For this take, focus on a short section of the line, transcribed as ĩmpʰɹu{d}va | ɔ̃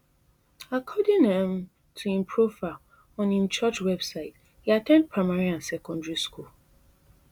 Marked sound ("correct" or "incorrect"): incorrect